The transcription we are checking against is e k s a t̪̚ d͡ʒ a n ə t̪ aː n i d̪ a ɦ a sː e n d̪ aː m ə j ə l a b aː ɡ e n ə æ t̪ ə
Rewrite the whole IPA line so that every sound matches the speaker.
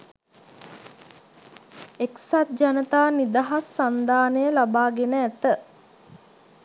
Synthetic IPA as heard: e k s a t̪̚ d͡ʒ a n ə t̪ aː n i d̪ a ɦ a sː a n d̪ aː n ə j ə l a b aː ɡ e n ə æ t̪ ə